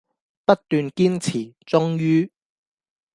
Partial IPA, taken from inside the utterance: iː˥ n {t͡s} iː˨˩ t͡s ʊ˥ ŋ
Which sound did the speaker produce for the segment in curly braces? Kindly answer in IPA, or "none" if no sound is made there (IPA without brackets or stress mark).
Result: t͡sʰ